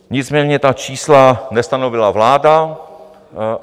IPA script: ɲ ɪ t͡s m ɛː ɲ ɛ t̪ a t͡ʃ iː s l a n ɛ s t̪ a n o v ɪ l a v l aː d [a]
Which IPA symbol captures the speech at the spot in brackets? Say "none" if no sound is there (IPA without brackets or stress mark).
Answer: a